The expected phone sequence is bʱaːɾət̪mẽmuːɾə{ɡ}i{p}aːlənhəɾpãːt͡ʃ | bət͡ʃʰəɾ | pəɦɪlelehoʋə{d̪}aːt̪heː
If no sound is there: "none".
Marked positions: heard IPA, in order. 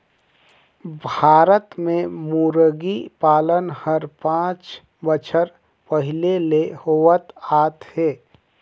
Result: ɡ, p, t̪

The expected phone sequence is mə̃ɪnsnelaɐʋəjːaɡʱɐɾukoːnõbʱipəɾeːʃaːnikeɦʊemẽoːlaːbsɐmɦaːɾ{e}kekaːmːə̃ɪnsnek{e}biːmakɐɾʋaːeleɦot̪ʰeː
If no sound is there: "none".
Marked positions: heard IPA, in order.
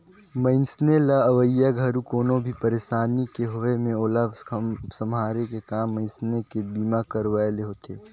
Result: e, e

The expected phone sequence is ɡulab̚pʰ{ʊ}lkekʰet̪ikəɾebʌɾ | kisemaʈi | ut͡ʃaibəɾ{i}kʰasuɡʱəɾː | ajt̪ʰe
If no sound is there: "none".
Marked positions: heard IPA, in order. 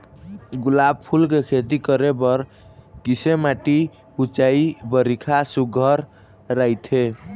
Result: u, i

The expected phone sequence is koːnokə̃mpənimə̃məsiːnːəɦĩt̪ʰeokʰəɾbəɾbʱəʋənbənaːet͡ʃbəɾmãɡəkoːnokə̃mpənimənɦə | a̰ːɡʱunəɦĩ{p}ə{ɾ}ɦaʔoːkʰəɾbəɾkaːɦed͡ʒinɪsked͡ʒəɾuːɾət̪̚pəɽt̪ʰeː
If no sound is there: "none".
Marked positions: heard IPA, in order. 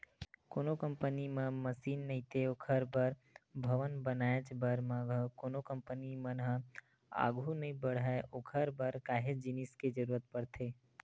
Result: b, ɽ

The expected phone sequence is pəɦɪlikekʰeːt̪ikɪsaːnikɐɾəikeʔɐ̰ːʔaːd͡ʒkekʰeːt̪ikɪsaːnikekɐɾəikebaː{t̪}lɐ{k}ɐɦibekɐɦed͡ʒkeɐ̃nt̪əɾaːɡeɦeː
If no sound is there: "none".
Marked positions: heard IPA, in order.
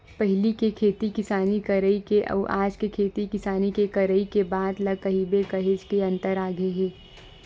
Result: d̪, k

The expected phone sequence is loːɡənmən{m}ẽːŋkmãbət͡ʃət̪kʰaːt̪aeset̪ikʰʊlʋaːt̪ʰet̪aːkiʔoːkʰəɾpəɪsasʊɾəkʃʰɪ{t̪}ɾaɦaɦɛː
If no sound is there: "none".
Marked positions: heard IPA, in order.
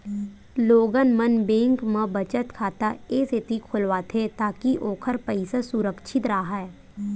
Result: b, t̪

